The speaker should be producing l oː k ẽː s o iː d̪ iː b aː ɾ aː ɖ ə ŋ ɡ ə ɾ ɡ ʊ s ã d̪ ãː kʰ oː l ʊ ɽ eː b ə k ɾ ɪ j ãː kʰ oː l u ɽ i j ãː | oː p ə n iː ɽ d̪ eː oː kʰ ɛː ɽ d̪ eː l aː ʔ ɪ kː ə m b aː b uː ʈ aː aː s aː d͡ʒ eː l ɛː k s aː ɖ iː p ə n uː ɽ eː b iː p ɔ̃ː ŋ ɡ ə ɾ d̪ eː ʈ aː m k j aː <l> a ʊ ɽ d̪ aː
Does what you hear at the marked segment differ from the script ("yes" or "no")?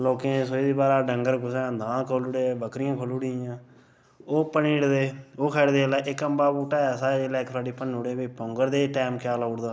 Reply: no